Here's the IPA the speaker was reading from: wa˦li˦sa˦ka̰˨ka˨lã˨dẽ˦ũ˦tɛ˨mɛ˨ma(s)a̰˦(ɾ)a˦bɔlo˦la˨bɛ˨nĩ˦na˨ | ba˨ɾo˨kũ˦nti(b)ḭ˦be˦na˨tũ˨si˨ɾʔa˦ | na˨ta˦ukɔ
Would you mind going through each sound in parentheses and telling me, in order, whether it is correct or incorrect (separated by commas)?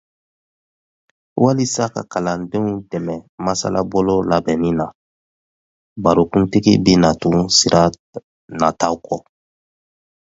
correct, incorrect, incorrect